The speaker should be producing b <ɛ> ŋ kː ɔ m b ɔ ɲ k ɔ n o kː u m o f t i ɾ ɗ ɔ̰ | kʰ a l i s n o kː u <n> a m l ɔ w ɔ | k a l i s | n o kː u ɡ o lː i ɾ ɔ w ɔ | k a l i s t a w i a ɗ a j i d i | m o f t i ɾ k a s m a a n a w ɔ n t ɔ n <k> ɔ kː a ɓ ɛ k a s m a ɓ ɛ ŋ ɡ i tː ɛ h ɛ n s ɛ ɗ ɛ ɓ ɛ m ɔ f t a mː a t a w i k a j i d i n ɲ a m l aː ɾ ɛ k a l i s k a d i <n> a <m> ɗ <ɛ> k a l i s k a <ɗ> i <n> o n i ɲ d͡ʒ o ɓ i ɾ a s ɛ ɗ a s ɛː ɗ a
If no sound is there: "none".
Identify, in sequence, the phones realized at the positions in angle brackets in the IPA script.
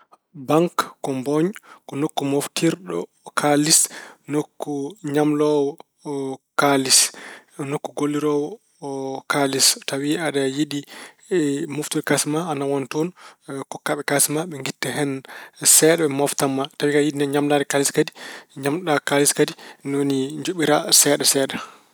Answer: a, ɲ, k, ɲ, m, a, d, n

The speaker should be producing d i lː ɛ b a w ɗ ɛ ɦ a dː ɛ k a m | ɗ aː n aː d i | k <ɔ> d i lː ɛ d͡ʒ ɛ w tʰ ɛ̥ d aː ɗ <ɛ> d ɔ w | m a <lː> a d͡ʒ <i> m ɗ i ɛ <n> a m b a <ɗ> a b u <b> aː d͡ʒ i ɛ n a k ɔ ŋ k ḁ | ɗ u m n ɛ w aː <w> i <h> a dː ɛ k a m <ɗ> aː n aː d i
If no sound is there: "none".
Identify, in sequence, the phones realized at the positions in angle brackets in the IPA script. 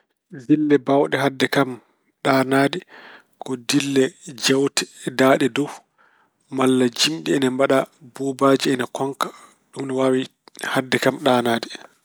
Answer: ɔ, ɛ, lː, i, n, ɗ, b, w, h, ɗ

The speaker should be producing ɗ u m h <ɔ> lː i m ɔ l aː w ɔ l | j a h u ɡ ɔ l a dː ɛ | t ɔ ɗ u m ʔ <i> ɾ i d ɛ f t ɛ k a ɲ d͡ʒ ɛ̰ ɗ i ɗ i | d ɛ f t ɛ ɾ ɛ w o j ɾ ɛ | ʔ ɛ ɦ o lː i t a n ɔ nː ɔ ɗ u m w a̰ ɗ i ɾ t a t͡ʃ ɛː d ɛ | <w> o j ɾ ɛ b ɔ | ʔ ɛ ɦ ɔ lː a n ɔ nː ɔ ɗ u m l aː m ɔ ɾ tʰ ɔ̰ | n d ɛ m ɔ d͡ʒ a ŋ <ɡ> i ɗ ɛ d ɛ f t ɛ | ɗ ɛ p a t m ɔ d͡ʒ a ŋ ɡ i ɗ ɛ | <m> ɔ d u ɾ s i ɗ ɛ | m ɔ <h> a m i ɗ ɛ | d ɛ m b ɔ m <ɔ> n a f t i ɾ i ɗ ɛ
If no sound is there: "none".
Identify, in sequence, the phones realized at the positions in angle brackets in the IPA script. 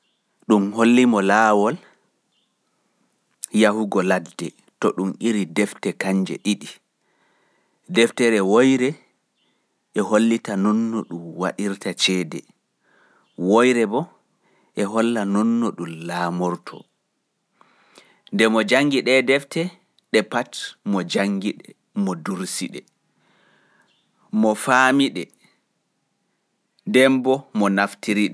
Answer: o, i, w, ɡ, m, f, ɔ

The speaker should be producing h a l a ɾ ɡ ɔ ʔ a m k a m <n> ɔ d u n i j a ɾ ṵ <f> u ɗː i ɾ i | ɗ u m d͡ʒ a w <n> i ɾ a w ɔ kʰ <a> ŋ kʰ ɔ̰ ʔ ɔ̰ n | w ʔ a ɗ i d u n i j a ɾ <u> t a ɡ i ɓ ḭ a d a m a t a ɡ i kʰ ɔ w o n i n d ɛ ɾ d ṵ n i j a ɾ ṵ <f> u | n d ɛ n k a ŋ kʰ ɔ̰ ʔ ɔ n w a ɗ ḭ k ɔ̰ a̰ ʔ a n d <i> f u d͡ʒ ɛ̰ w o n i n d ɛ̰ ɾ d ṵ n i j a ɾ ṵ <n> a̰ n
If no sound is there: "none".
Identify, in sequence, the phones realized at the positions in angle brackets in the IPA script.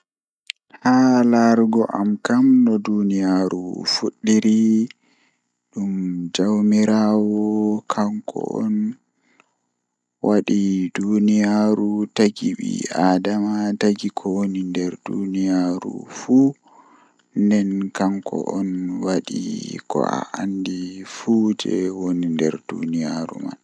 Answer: n, f, m, a, u, f, i, m

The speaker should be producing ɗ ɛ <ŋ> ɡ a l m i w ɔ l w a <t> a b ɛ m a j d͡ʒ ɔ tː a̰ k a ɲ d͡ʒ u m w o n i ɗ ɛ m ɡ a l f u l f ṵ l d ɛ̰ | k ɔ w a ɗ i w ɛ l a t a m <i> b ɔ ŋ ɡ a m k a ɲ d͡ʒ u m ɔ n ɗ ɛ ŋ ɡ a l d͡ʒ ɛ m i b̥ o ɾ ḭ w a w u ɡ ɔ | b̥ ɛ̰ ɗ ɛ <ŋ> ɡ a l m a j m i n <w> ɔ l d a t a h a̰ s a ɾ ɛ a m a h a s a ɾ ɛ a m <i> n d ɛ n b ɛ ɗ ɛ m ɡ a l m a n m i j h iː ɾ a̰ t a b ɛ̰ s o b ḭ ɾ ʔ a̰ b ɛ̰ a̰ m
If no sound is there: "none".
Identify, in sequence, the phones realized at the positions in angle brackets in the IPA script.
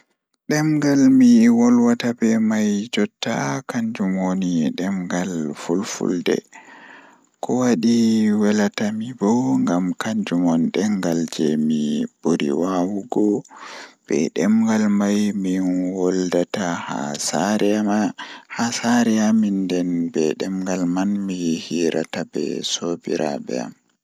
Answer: m, t, i, m, w, i

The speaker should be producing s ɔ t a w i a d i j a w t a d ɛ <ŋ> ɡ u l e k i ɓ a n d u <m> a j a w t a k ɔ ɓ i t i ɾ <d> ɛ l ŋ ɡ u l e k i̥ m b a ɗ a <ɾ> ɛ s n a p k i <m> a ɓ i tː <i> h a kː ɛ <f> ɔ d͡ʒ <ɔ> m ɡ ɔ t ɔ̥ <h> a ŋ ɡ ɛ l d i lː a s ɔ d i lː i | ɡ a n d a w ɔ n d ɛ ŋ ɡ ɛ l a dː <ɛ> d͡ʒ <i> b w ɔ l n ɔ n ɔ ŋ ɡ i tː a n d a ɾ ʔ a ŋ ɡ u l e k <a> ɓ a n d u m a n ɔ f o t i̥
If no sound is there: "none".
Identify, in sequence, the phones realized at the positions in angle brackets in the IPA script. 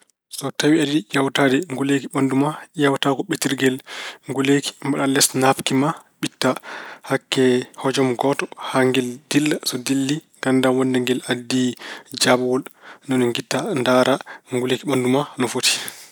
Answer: ŋ, m, ɡ, l, m, a, h, ɔ, h, i, a, i

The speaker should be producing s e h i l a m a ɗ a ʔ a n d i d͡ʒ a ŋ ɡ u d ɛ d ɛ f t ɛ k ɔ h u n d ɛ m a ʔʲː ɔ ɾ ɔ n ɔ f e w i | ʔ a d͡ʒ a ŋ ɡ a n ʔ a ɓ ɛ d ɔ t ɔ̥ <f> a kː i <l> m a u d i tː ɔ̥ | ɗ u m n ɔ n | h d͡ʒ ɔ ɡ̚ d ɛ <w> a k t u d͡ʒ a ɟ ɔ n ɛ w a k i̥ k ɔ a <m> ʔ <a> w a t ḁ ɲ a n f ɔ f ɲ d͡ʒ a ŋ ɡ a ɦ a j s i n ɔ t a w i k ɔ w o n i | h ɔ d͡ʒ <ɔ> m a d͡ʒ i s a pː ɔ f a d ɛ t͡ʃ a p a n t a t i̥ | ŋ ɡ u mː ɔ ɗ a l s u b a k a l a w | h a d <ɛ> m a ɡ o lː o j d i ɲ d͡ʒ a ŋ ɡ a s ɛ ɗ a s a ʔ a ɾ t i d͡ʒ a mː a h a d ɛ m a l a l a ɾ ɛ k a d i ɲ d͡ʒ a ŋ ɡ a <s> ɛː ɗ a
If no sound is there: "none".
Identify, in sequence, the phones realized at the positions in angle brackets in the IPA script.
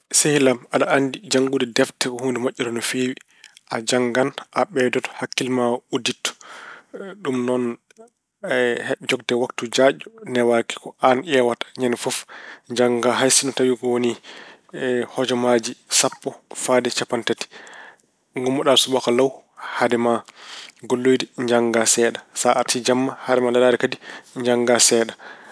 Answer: h, l, w, n, ɛ, ɔ, ɛ, s

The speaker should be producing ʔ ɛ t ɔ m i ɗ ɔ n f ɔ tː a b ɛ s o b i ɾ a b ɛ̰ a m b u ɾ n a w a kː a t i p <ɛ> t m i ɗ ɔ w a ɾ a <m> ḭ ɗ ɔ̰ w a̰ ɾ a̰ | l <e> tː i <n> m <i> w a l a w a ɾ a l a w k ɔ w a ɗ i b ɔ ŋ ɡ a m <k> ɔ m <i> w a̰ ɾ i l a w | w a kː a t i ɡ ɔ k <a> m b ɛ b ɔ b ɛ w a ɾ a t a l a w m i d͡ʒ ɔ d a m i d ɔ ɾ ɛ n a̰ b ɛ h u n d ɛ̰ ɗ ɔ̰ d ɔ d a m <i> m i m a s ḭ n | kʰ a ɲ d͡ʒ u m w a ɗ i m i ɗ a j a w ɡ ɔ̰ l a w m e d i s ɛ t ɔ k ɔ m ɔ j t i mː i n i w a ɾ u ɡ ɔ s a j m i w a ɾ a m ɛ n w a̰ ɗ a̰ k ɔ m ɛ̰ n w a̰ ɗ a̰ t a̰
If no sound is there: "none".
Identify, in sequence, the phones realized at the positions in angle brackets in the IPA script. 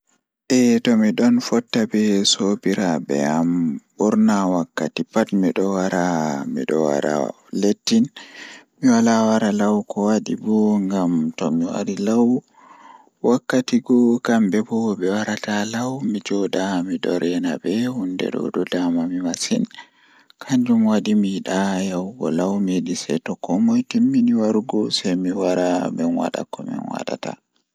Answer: a, m, e, n, i, t, i, a, a

